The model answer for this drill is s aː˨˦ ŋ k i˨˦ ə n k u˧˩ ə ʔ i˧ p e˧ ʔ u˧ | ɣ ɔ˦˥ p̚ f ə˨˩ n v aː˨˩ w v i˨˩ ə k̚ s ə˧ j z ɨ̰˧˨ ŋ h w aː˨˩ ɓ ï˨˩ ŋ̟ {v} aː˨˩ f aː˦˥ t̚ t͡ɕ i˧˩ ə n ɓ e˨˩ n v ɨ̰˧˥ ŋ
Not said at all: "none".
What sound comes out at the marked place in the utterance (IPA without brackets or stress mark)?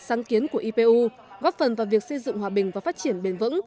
v